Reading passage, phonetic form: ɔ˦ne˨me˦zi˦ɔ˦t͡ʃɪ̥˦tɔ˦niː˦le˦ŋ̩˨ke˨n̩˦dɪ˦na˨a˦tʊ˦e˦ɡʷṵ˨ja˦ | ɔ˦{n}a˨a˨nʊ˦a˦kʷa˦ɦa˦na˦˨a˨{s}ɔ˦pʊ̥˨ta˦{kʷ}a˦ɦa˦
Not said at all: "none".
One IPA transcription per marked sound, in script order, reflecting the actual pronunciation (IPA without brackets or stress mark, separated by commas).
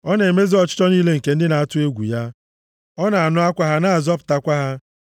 n, z, kʷ